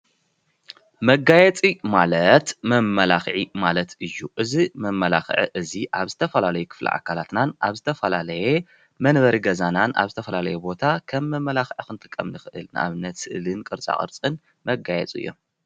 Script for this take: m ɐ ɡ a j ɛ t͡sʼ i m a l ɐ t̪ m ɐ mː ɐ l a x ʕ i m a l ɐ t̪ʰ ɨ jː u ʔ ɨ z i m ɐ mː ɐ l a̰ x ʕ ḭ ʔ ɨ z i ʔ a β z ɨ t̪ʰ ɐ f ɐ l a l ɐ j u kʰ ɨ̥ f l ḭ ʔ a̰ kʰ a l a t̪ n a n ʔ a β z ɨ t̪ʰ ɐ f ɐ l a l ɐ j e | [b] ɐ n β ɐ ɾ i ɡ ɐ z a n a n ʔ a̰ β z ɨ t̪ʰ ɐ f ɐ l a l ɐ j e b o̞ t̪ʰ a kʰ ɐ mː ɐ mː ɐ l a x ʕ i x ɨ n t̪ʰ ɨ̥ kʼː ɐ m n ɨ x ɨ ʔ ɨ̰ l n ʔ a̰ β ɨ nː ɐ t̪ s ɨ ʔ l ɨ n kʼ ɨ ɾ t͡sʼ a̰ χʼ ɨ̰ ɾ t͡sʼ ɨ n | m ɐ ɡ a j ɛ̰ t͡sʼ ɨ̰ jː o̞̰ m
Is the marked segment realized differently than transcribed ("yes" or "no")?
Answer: yes